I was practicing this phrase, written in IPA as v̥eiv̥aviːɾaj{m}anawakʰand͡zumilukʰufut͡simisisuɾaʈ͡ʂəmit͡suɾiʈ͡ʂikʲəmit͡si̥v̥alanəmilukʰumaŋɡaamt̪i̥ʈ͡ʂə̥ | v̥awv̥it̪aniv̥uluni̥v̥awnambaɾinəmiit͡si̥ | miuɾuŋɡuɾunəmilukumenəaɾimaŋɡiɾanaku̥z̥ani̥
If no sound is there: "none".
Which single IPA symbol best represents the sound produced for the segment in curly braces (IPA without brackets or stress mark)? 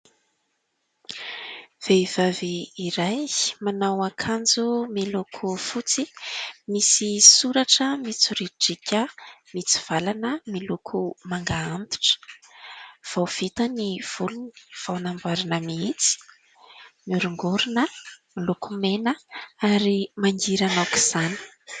m